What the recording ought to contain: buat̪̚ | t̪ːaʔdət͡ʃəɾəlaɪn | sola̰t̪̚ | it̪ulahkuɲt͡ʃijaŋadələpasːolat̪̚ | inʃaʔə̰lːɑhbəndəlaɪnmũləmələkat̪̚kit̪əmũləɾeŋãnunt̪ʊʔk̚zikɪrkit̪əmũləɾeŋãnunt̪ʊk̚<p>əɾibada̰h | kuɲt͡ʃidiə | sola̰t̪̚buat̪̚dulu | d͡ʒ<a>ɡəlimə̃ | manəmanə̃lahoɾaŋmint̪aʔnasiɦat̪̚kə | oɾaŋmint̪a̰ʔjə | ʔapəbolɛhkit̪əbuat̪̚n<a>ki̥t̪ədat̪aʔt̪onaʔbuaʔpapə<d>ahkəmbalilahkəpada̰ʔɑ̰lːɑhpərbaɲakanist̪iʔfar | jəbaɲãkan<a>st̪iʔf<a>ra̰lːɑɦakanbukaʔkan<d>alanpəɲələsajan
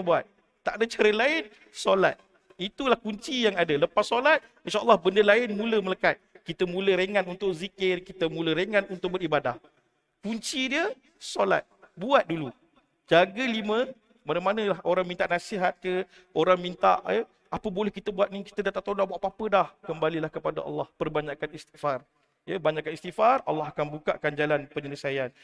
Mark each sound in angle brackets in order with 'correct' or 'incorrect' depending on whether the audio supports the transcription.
incorrect, correct, incorrect, correct, incorrect, correct, incorrect

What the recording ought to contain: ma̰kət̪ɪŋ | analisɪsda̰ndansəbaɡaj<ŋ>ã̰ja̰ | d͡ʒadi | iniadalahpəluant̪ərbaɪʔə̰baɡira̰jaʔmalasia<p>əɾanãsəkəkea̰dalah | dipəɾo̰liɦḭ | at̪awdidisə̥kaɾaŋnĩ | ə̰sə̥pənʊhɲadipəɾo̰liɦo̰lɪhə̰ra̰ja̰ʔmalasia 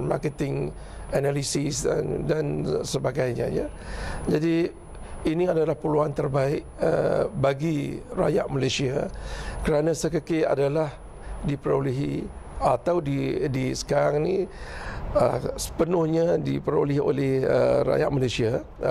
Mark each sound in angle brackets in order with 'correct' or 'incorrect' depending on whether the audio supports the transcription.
incorrect, incorrect

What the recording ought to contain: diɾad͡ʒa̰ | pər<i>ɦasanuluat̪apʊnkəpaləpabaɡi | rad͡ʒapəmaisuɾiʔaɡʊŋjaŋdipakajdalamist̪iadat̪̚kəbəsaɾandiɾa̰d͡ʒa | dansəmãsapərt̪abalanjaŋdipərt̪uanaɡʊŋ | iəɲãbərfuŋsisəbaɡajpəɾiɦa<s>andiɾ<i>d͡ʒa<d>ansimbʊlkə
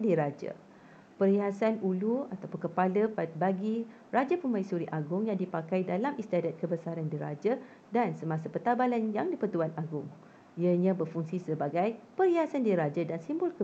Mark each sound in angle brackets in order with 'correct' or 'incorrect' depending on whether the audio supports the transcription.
correct, correct, incorrect, correct

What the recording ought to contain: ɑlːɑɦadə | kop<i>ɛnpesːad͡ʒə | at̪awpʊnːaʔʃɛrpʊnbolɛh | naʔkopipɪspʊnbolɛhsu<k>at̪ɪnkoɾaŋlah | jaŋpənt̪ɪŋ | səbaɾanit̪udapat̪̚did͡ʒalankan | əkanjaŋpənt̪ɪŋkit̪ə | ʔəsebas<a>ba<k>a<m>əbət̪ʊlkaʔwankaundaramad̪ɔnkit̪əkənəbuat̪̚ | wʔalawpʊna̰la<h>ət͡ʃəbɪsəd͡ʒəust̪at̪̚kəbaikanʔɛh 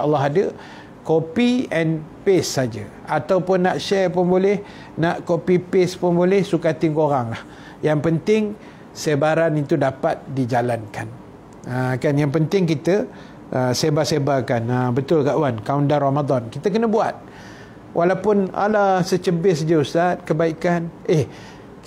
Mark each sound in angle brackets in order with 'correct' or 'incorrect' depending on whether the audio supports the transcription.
correct, correct, incorrect, correct, incorrect, incorrect

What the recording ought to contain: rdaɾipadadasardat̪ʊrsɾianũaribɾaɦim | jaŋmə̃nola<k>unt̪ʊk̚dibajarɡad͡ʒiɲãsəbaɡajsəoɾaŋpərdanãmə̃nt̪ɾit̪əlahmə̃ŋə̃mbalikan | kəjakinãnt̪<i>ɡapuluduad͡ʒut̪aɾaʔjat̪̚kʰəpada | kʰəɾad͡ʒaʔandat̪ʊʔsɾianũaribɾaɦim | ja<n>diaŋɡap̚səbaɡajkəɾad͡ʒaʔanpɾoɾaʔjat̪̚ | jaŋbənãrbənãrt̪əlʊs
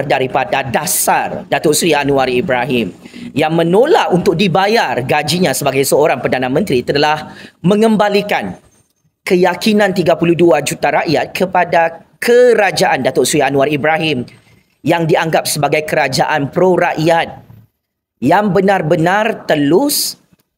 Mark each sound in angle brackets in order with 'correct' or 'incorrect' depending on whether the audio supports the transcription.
incorrect, correct, incorrect

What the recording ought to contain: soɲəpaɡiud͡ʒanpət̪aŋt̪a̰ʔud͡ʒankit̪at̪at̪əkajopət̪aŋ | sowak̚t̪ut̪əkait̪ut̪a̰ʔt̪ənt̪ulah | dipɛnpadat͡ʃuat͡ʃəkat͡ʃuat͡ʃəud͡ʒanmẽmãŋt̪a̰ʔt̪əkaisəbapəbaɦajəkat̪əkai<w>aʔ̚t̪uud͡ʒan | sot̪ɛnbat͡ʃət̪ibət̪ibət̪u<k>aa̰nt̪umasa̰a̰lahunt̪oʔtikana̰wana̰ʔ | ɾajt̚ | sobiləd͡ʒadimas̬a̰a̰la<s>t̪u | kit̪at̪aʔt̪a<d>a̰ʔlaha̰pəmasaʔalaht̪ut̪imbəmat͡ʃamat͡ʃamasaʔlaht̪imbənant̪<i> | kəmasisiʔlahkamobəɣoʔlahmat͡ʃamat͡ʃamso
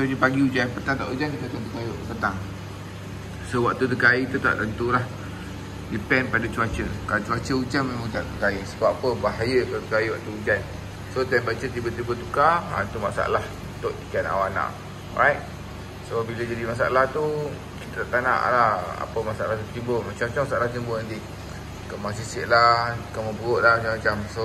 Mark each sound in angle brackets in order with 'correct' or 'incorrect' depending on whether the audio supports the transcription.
correct, correct, incorrect, incorrect, correct

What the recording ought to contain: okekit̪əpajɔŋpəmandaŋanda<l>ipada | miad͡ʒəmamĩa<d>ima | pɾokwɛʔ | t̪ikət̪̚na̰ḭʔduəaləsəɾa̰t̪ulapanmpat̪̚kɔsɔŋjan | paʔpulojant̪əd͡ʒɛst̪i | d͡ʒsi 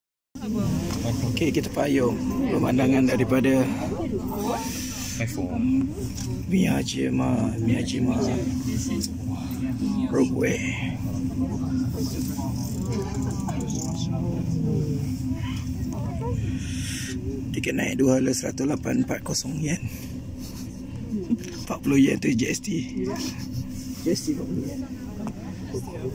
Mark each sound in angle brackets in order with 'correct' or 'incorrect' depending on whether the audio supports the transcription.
incorrect, incorrect

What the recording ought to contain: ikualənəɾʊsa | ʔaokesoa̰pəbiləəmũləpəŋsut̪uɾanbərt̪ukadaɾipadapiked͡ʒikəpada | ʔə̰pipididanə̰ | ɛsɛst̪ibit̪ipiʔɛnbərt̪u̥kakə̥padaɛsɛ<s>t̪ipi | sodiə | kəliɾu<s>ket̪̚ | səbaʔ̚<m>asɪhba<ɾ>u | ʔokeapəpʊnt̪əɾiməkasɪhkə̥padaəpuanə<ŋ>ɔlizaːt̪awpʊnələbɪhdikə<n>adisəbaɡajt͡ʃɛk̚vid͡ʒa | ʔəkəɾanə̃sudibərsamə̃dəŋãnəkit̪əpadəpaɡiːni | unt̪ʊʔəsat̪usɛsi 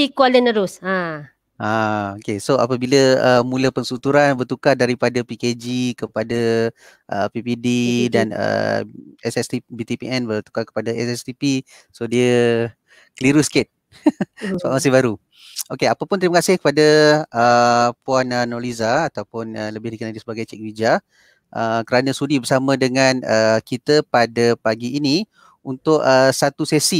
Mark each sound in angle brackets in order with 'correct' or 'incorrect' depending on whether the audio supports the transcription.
correct, correct, correct, correct, incorrect, correct

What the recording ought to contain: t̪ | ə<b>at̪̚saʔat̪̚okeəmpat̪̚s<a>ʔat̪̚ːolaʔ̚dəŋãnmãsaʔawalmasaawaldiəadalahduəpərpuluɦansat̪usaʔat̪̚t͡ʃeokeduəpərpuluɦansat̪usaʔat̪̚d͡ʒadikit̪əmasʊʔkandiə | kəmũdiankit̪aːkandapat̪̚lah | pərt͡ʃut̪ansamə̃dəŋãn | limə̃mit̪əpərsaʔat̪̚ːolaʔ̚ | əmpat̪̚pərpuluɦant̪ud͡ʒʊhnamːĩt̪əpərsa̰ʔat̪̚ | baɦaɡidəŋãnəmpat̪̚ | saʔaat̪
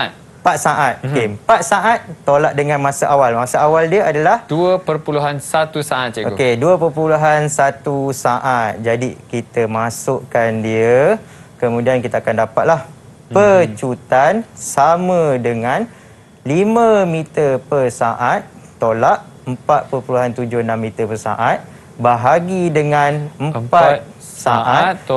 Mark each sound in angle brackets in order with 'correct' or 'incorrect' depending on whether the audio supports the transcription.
incorrect, correct

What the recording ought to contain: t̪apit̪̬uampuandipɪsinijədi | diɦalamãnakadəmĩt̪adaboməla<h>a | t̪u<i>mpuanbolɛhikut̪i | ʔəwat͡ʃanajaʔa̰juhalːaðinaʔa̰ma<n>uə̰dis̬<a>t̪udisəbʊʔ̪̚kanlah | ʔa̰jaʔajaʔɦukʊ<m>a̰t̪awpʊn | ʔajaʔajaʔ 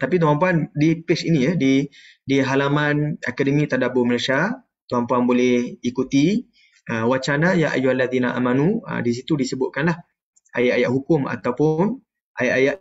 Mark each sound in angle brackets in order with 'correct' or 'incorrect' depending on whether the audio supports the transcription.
incorrect, incorrect, correct, incorrect, correct

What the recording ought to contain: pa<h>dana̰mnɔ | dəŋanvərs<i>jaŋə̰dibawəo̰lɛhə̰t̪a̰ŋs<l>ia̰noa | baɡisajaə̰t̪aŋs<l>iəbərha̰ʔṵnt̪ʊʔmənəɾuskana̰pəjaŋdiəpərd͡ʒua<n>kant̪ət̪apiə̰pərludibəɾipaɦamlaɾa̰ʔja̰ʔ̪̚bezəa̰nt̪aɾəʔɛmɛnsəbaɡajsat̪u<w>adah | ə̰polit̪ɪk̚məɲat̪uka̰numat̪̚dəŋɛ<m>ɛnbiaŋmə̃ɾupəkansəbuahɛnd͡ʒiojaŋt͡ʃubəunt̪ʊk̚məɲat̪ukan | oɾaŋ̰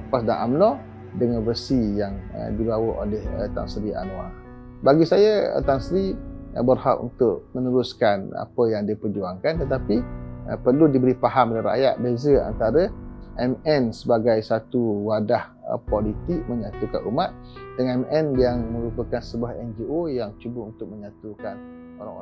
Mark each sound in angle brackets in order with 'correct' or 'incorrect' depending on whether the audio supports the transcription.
incorrect, correct, incorrect, incorrect, incorrect, correct, correct

